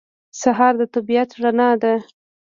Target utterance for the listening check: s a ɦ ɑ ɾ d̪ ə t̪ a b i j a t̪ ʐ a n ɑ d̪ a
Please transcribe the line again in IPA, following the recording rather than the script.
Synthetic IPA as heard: s a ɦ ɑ ɾ d̪ ə t̪ a b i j a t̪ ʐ a n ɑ d̪ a